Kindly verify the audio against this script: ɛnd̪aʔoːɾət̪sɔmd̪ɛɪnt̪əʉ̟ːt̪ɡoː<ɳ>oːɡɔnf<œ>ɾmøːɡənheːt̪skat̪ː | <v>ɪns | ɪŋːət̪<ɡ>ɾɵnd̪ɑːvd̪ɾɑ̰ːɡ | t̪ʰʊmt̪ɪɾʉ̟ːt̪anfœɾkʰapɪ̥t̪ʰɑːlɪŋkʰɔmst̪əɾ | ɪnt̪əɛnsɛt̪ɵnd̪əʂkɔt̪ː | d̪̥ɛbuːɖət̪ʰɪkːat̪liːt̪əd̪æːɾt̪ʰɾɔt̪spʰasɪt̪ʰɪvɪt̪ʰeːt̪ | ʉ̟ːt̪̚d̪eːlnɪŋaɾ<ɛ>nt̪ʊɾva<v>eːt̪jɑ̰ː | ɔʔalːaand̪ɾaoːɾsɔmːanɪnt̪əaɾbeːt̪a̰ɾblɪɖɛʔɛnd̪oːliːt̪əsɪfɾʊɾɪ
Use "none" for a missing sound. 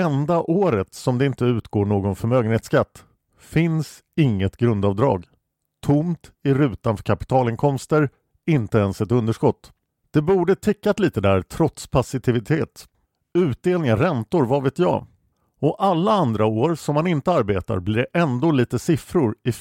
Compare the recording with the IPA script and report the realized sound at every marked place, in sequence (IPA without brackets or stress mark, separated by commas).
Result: ɳ, œ, f, ɡ, ɛ, v